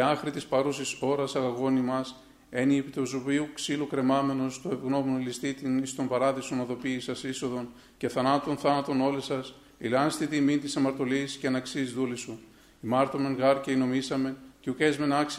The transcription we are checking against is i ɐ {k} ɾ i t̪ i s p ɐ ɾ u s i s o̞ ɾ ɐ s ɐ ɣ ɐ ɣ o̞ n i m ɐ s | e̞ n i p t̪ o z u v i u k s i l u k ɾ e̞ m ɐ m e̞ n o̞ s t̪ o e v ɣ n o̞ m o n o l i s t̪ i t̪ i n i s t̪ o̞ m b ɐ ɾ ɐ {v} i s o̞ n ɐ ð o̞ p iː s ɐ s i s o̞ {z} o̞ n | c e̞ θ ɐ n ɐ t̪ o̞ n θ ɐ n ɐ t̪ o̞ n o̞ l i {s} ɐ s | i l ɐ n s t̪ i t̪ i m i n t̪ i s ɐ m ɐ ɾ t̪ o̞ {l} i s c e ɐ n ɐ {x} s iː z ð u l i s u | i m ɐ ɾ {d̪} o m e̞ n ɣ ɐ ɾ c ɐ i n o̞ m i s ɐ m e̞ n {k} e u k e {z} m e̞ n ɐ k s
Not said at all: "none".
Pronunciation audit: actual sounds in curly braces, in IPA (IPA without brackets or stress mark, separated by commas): x, ð, ð, s, l, k, t̪, c, z